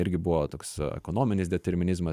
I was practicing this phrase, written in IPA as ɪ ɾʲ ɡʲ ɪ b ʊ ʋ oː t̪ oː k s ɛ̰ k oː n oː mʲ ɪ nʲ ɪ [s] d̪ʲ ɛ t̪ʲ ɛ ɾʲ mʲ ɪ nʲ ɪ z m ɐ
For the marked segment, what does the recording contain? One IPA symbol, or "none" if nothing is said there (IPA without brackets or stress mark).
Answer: s